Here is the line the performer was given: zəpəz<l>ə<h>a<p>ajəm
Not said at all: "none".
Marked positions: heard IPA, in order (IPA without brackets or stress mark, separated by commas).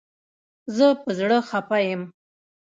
ɽ, x, p